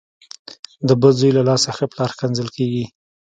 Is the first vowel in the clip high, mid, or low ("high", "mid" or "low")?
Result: mid